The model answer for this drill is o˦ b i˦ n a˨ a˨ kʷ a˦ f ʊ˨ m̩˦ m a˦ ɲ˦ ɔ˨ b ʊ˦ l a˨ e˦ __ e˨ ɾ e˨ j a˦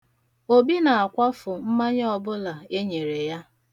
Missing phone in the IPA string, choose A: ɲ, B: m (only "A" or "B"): A